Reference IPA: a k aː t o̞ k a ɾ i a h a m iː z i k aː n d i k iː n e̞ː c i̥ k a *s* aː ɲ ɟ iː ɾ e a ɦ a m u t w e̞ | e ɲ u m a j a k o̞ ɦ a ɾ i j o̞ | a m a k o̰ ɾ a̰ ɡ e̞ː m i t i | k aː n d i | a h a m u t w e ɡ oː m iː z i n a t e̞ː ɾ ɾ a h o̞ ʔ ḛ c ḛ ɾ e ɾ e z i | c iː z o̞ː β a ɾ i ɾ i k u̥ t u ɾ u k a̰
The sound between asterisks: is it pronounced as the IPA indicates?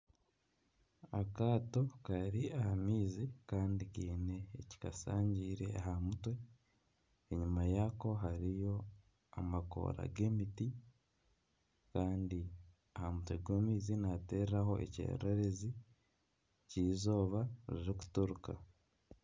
yes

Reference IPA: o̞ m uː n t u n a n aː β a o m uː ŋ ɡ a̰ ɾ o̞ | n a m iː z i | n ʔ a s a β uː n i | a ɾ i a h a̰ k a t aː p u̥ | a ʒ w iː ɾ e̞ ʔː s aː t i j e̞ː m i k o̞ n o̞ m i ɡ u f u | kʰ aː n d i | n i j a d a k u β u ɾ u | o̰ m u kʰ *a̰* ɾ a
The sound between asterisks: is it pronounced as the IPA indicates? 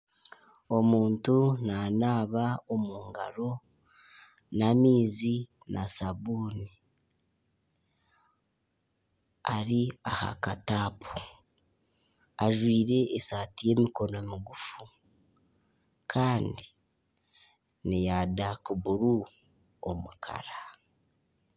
yes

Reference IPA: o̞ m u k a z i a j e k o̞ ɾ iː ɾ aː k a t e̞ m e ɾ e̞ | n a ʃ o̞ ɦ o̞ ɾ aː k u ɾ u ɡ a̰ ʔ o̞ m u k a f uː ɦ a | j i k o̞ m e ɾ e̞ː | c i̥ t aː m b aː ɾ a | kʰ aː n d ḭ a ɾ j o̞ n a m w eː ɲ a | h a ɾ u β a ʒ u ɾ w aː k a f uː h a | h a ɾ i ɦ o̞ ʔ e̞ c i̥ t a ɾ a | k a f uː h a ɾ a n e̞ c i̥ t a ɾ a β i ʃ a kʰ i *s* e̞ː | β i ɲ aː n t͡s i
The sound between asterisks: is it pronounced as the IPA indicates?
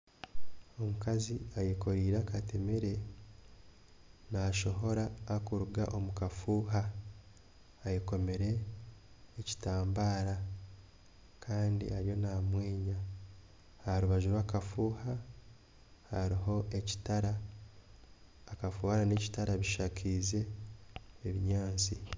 no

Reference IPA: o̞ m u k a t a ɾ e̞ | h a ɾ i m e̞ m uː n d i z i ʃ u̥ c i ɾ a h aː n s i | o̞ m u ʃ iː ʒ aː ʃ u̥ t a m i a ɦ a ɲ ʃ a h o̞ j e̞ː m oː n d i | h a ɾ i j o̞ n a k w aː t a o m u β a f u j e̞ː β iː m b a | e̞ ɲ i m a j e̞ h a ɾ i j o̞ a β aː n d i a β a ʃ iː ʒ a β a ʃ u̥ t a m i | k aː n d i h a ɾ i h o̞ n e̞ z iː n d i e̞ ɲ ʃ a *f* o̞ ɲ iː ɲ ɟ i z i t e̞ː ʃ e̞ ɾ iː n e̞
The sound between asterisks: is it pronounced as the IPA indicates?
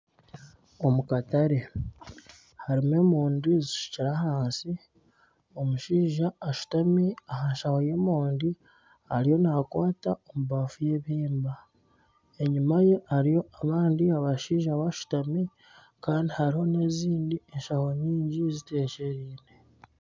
no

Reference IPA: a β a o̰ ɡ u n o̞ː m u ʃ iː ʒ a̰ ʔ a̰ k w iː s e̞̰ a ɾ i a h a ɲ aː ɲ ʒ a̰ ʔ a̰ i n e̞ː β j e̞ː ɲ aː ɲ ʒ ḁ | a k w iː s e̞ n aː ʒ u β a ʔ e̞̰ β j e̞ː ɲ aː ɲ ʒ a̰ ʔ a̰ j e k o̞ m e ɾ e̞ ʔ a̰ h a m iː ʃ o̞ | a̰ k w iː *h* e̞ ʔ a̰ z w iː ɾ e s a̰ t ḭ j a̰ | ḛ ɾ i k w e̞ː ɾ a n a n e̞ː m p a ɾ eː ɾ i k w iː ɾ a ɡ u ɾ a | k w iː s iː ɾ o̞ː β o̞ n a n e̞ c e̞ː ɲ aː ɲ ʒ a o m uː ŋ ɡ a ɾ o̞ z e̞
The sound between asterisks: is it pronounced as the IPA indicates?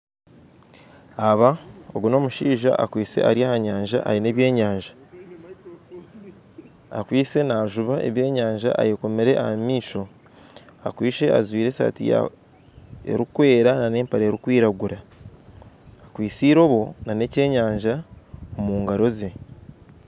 no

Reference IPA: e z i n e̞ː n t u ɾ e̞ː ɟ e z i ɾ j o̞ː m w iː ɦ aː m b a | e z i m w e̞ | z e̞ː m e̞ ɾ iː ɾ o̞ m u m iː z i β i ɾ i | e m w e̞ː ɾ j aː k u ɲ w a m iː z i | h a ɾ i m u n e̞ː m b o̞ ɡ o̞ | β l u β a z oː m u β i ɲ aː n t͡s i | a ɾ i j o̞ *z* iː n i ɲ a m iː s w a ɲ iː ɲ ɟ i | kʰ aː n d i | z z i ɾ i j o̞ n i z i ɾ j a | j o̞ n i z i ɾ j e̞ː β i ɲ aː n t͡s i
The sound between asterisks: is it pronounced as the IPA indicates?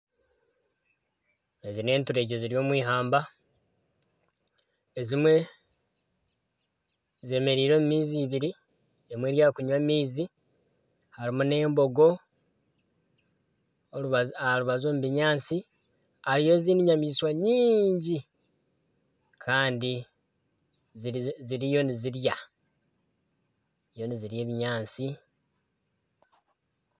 yes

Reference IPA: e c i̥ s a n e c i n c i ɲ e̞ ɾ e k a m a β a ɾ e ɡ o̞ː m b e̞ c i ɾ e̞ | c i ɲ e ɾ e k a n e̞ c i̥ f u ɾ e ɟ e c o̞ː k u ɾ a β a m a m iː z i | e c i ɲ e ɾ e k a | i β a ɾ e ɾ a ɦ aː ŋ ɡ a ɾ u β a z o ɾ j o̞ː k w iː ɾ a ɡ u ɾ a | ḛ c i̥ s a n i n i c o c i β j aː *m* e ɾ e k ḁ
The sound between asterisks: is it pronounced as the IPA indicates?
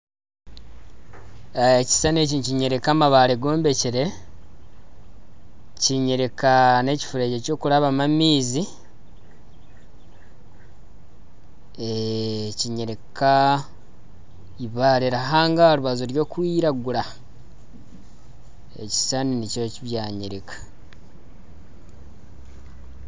no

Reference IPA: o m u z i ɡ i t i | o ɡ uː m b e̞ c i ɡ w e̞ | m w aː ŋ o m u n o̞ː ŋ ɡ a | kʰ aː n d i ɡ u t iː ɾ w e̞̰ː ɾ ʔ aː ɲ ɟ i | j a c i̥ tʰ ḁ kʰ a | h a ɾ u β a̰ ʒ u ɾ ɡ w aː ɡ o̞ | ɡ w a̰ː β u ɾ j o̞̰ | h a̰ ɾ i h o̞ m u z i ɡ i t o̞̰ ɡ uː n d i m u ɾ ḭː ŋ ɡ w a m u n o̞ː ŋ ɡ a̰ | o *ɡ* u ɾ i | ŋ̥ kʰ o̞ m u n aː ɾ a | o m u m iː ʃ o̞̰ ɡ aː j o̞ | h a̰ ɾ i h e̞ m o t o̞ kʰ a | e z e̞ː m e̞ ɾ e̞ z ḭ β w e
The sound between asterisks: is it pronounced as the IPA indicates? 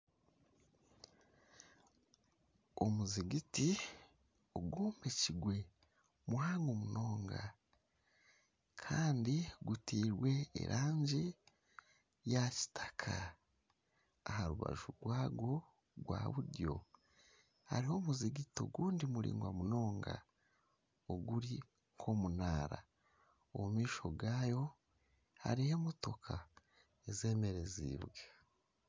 yes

